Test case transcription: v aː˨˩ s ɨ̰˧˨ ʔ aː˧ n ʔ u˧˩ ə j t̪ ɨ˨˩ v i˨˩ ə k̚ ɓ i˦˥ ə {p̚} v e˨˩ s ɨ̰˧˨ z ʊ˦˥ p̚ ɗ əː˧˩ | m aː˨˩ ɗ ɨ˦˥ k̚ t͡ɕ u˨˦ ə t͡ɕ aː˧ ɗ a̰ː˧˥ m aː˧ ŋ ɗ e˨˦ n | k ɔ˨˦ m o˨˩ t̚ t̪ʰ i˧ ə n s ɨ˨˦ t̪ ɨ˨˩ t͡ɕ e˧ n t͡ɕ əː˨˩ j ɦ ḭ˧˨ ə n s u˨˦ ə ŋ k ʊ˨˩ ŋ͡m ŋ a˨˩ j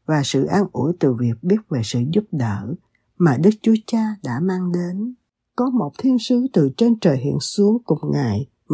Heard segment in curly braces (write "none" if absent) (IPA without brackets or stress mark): t̚